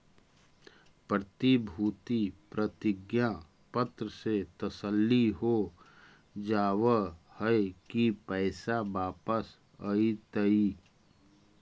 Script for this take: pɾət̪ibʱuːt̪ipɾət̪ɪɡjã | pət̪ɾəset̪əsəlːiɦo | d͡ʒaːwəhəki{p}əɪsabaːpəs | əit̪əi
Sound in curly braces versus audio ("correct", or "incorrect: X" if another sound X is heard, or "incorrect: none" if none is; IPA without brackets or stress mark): correct